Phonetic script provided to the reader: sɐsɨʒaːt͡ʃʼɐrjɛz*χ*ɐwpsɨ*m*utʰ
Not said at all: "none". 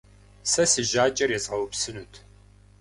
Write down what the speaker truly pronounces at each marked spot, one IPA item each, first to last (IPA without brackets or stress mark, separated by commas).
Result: ʁ, n